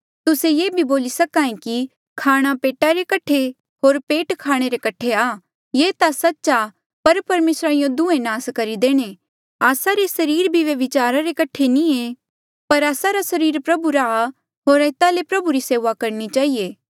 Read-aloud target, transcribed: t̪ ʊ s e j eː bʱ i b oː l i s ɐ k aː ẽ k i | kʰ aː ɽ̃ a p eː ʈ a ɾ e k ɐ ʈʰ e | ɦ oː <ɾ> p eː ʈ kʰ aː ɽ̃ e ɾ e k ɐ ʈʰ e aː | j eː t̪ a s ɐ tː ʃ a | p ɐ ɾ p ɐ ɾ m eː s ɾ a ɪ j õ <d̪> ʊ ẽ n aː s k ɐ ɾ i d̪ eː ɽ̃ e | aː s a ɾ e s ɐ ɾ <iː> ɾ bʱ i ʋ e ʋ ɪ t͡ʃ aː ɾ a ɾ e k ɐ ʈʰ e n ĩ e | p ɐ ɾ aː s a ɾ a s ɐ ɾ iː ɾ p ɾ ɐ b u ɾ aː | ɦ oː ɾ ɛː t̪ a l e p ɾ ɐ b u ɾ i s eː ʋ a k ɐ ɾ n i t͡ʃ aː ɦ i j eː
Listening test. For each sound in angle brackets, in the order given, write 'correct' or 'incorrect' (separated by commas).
correct, correct, correct